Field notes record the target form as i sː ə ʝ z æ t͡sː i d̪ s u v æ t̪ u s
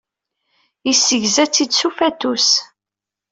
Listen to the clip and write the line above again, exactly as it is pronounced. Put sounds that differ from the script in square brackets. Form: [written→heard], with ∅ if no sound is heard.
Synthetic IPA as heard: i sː ə ʝ z æ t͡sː i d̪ s u [v→f] æ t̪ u s